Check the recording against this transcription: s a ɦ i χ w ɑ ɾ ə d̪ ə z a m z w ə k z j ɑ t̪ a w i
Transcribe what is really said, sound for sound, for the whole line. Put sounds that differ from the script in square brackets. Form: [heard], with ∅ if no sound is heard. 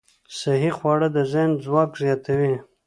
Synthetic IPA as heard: s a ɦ i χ w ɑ [ɽ] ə d̪ ə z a [n] z w [ɑ] k z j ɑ t̪ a w i